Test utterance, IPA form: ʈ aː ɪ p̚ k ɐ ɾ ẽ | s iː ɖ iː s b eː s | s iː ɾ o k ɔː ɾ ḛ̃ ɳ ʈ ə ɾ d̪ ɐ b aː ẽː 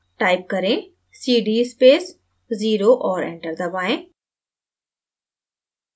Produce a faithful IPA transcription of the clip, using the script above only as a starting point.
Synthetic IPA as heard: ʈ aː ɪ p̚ k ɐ ɾ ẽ | s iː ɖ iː s p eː s | z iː ɾ o ʔ ɔː ɾ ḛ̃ ɳ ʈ ə ɾ d̪ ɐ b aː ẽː